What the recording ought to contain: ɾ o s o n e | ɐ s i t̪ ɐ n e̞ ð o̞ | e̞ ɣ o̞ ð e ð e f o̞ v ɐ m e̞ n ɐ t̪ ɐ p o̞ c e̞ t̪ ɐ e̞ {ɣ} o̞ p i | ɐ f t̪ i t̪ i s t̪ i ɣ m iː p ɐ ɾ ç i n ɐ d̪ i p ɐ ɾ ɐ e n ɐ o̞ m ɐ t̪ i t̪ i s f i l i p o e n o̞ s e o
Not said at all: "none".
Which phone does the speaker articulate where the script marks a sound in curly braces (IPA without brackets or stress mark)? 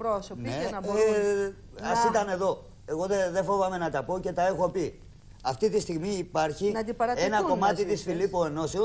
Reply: x